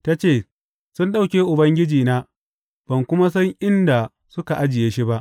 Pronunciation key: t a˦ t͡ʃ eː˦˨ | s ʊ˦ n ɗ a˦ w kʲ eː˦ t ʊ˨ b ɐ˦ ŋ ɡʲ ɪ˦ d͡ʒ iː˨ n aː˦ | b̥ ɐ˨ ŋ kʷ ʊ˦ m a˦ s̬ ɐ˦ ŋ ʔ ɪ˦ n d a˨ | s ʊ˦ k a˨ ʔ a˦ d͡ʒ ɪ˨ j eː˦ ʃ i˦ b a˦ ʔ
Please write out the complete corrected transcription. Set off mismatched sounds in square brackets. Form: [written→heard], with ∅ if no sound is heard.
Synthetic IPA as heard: t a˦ t͡ʃ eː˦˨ | s ʊ˦ n ɗ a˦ w kʲ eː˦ [t→ʔ] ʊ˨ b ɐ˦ ŋ ɡʲ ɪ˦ d͡ʒ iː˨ n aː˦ | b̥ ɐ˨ ŋ kʷ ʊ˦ m a˦ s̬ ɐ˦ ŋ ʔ ɪ˦ n d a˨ | s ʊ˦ k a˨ ʔ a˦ d͡ʒ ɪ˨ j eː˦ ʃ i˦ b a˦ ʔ

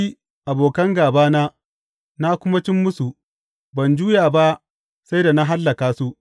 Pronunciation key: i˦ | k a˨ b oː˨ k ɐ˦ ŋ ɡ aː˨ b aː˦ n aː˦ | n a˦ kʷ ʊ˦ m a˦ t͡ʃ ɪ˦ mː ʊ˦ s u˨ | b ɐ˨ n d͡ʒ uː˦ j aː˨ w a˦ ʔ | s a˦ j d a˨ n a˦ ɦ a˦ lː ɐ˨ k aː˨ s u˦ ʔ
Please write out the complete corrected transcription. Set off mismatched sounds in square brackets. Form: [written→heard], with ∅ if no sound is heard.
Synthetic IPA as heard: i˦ | [k→ʔ] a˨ b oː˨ k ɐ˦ ŋ ɡ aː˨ b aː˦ n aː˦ | n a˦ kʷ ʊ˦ m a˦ t͡ʃ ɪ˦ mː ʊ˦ s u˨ | b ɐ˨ n d͡ʒ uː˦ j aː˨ [w→b] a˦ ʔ | s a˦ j d a˨ n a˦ ɦ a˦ lː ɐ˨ k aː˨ s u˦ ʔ

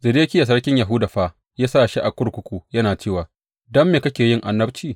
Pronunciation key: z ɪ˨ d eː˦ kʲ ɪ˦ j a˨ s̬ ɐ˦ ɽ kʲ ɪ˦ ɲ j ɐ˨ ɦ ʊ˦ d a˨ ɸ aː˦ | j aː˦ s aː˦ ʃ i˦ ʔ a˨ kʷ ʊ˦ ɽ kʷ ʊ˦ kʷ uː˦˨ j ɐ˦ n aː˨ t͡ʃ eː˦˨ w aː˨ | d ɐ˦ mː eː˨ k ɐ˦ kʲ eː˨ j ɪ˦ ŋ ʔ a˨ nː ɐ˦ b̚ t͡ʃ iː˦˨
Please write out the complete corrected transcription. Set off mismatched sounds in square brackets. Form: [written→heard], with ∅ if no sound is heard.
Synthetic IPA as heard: z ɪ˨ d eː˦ kʲ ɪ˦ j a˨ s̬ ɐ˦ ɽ kʲ ɪ˦ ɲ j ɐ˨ ɦ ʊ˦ d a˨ ɸ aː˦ | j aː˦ s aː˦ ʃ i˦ ʔ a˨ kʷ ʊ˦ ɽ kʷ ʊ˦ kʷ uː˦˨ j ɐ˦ n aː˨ t͡ʃ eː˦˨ w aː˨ | d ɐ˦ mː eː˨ k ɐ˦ kʲ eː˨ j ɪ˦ ŋ ʔ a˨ nː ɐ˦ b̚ t͡ʃ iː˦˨

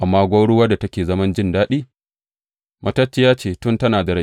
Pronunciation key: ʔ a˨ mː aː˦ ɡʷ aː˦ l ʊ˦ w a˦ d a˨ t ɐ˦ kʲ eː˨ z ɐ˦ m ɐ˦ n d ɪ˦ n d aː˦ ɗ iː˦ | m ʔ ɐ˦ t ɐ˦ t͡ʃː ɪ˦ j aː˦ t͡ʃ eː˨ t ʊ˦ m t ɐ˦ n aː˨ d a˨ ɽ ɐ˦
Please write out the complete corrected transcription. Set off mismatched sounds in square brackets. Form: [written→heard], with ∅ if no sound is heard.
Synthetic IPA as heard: ʔ a˨ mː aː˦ ɡʷ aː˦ [l→ɽ] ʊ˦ w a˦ d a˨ t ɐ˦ kʲ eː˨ z ɐ˦ m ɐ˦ n [d→d͡ʒ] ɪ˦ n d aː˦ ɗ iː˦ | m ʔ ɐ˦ t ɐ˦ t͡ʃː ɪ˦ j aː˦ t͡ʃ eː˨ t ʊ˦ [m→n] t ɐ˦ n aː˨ d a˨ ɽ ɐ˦

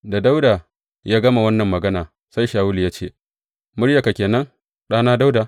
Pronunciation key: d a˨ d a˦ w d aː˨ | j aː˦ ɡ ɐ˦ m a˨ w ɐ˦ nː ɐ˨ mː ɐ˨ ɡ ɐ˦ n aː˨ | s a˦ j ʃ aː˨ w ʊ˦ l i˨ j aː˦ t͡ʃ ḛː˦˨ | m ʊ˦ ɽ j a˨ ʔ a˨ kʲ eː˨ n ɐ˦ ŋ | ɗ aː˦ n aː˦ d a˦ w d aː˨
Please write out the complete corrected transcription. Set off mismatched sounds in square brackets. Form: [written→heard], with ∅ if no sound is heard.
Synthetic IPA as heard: d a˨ d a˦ w d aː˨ | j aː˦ ɡ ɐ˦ m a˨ w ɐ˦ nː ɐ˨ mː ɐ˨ ɡ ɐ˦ n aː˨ | s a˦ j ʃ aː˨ w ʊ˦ l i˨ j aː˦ t͡ʃ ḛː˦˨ | m ʊ˦ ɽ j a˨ [ʔ→k] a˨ kʲ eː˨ n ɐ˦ ŋ | ɗ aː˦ n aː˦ d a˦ w d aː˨

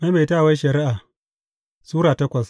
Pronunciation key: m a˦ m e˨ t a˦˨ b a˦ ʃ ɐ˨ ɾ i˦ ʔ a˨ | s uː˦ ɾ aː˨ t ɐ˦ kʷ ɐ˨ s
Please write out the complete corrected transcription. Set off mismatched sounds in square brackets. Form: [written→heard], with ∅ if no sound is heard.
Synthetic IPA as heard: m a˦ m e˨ t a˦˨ [b→w] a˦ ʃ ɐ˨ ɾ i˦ ʔ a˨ | s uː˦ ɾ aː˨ t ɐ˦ kʷ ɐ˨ s

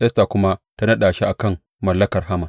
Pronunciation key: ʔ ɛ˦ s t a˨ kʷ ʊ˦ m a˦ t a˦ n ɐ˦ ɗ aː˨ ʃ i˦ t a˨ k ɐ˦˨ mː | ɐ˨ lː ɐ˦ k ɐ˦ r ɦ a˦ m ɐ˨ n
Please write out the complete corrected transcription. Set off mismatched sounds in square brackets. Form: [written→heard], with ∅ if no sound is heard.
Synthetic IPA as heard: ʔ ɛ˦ s t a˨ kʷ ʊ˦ m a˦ t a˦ n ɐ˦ ɗ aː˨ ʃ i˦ [t→ʔ] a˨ k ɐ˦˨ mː | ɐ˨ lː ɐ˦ k [ɐ˦→ɐ˨] r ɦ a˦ m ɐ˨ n

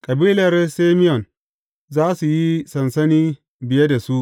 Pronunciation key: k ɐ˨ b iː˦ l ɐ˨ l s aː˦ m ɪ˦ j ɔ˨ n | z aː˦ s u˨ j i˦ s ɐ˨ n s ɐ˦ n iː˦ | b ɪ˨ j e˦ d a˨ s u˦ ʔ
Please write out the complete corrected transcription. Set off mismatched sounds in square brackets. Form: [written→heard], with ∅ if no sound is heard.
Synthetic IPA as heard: [k→kʼ] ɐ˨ b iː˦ l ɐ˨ [l→r] s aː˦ m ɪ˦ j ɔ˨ n | z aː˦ s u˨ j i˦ s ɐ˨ n s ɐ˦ n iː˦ | b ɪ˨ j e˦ d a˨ s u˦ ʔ

